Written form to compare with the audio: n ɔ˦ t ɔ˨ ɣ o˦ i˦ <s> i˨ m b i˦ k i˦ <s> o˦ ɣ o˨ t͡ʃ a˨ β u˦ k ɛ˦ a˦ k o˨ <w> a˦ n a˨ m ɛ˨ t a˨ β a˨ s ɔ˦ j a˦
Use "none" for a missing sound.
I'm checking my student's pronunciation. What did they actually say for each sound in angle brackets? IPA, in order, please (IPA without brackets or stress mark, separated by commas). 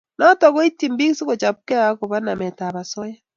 t, s, β